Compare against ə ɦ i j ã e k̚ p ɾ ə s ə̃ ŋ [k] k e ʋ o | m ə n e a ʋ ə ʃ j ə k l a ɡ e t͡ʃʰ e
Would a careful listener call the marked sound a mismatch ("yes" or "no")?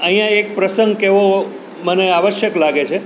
yes